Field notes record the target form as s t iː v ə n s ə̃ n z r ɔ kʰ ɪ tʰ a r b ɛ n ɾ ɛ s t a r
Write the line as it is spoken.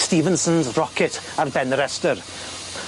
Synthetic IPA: s t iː v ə n s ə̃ n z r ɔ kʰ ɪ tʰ a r b ɛ n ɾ ɛ s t ə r